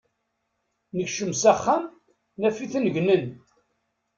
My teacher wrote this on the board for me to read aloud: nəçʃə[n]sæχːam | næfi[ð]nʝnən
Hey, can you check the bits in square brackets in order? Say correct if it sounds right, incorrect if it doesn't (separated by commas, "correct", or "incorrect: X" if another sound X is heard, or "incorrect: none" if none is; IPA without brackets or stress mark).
incorrect: m, incorrect: θ